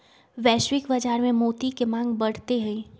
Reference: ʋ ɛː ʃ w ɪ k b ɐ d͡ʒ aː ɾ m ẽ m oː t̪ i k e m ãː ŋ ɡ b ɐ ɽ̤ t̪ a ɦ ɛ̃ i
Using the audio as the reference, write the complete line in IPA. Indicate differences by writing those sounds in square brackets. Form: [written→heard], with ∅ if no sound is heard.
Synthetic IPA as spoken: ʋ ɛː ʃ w ɪ k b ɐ d͡ʒ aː ɾ m ẽ m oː t̪ i k e m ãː ŋ ɡ b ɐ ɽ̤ t̪ [a→e] ɦ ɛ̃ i